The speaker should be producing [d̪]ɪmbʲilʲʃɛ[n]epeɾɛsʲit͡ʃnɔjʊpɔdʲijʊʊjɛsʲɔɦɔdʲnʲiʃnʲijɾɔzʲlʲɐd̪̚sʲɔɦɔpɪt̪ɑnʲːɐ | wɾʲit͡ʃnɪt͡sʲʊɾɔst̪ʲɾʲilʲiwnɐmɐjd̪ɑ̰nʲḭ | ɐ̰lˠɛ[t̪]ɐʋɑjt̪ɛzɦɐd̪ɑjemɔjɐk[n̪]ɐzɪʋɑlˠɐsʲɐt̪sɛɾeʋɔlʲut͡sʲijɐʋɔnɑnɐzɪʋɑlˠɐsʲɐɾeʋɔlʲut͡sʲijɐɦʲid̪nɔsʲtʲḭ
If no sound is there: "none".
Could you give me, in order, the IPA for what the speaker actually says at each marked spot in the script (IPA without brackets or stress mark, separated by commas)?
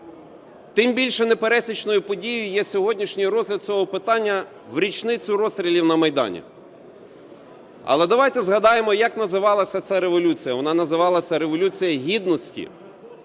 t̪, n, d̪, n̪